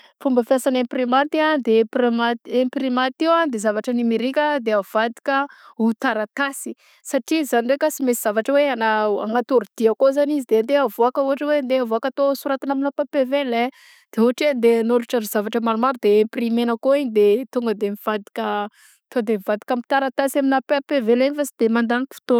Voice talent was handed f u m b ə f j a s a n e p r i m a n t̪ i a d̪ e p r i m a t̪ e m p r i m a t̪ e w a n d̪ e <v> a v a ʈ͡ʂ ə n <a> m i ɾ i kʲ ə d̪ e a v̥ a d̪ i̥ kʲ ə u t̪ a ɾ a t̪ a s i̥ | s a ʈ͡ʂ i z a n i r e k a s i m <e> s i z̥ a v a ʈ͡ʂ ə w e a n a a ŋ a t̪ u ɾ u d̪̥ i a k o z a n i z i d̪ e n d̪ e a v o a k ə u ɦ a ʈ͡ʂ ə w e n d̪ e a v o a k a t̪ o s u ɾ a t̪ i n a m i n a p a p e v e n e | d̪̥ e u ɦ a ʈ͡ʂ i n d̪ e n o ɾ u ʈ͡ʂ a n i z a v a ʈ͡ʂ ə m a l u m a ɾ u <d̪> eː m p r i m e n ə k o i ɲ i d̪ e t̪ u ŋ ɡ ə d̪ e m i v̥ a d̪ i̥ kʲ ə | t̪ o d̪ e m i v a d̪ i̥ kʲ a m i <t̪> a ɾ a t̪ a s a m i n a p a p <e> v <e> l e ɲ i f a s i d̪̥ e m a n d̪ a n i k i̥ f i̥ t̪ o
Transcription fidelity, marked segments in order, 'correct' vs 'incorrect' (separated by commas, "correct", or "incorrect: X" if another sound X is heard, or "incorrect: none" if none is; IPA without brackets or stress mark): incorrect: z, incorrect: i, correct, correct, correct, correct, correct